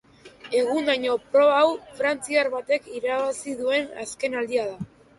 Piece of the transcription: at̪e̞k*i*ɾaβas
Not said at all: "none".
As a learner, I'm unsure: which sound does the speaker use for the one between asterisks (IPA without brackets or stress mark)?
i